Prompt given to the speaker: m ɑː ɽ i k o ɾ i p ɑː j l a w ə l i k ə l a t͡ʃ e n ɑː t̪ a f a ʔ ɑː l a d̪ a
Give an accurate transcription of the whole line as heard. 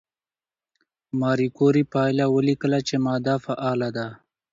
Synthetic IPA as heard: m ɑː ɾ i k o ɾ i p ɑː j l a w ə l i k ə l a t͡ʃ e m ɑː d̪ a f a ʔ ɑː l a d̪ a